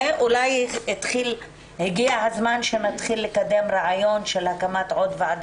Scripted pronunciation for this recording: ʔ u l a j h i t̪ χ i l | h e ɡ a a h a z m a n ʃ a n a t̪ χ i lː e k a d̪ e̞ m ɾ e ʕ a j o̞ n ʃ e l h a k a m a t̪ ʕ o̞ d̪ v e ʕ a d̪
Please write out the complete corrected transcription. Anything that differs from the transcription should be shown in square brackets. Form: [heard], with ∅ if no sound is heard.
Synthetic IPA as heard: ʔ u l a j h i t̪ χ i l | h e ɡ [i] a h a z m a n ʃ [e] n a t̪ χ i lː e k a d̪ e̞ m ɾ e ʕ a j o̞ n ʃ e l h a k a m a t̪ ʕ o̞ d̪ v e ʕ a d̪